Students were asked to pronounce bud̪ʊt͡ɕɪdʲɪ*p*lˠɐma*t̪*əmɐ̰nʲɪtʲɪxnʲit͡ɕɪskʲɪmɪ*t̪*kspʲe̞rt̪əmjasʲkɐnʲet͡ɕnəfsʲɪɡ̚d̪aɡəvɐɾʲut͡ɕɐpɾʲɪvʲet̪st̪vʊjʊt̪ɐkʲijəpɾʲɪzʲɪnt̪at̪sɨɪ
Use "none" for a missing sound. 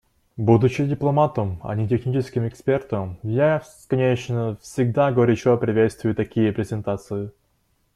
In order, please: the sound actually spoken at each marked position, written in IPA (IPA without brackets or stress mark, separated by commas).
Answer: p, t̪, none